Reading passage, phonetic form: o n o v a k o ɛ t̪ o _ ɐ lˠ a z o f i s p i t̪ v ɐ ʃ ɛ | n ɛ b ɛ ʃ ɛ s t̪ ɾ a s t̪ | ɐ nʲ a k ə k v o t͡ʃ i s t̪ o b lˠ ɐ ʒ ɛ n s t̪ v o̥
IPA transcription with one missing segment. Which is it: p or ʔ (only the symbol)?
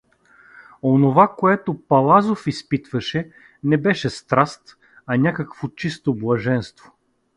p